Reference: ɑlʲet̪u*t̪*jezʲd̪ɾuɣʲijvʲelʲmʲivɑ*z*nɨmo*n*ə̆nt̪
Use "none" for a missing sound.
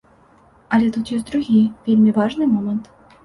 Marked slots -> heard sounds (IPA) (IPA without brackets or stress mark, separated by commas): t̪, ʐ, m